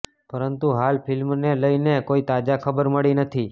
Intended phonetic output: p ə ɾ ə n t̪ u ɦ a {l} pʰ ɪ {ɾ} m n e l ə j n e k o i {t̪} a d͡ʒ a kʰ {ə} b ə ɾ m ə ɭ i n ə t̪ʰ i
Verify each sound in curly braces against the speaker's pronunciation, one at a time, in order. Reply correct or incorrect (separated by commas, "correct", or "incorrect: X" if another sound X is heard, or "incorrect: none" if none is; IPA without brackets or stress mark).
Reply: correct, incorrect: l, correct, correct